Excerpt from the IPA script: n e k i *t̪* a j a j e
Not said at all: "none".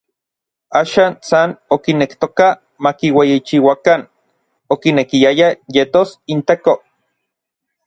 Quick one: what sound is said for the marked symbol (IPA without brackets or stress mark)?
none